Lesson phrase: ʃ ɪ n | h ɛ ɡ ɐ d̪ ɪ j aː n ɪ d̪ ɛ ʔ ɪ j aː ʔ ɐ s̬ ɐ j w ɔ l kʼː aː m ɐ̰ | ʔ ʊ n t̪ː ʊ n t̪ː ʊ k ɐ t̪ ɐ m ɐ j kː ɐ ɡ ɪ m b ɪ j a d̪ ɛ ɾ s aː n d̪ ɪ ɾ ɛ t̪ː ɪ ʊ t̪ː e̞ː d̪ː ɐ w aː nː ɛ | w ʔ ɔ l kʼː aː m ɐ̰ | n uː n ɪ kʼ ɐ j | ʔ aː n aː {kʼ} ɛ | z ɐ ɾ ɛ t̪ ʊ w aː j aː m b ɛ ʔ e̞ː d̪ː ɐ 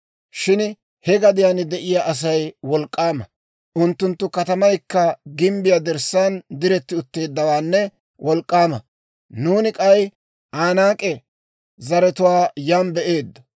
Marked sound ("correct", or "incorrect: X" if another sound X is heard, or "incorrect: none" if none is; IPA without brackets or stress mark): correct